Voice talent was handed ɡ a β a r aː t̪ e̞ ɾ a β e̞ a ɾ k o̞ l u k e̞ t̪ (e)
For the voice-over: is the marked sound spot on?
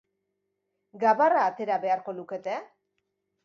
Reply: yes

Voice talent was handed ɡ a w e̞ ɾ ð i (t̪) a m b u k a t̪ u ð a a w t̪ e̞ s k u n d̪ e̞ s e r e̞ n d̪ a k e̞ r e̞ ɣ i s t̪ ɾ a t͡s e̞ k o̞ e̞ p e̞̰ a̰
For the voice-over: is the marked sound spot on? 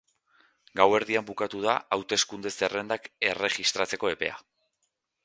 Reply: no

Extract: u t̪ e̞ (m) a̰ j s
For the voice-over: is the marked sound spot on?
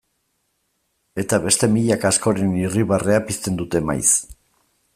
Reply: yes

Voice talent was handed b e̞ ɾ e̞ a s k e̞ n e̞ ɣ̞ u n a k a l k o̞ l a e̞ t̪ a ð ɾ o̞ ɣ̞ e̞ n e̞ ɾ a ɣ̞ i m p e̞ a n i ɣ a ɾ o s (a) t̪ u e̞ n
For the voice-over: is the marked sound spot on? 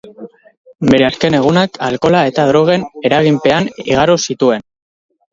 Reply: no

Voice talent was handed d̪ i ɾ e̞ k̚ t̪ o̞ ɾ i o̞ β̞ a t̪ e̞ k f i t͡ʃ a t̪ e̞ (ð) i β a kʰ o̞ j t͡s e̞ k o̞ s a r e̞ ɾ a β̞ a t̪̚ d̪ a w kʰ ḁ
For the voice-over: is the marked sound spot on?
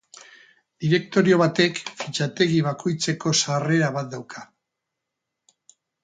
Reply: no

